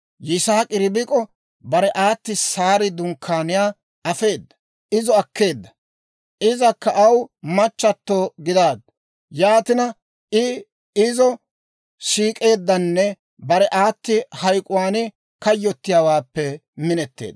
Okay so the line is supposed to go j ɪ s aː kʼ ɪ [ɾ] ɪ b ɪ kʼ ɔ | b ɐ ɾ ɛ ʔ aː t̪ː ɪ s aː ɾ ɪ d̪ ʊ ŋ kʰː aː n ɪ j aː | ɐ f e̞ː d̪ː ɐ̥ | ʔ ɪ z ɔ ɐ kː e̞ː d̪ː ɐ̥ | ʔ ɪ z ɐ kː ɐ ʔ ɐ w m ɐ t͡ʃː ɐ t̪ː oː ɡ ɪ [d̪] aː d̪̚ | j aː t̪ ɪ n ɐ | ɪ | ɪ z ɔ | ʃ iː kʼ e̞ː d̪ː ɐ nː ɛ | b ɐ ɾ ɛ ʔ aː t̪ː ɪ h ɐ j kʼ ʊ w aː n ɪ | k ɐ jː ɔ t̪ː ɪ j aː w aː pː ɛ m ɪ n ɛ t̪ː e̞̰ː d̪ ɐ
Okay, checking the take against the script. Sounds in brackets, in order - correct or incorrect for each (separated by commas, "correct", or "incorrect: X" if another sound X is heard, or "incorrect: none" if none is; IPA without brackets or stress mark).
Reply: correct, correct